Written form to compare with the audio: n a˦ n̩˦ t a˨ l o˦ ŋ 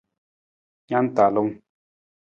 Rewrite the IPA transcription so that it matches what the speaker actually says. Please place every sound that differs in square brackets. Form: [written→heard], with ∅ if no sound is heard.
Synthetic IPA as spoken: [n→ɲ] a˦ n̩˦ t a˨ l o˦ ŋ